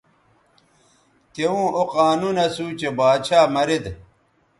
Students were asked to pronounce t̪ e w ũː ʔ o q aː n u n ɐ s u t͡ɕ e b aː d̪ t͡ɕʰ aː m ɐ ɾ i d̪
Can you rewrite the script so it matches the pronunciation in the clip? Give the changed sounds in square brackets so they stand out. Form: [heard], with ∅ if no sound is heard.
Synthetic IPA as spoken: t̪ e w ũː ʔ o q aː n u n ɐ s u t͡ɕ e b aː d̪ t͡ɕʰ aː m ɐ ɾ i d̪